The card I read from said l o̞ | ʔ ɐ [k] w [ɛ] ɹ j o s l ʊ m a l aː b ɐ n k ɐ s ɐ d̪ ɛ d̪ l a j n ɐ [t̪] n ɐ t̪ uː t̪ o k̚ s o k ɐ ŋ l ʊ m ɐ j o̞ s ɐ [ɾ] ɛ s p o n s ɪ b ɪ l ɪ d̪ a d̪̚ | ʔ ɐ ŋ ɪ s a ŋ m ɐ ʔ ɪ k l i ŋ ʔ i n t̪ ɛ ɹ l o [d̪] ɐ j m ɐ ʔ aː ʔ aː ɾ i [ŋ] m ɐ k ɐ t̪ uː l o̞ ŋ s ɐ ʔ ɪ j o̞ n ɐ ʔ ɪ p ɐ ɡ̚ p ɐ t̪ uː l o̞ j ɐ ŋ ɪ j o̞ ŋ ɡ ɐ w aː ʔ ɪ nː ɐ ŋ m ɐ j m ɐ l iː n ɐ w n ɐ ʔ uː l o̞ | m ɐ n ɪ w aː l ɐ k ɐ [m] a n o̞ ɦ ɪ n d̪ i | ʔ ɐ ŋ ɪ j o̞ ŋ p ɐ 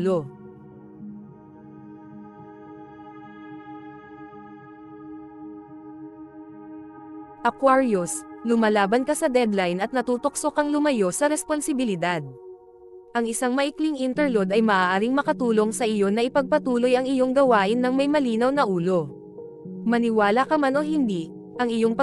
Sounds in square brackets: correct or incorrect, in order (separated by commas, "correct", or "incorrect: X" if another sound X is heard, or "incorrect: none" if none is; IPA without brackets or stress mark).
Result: correct, incorrect: a, correct, correct, correct, correct, correct